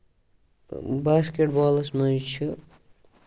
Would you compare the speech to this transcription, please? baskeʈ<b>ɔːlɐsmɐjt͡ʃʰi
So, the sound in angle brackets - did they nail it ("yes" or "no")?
yes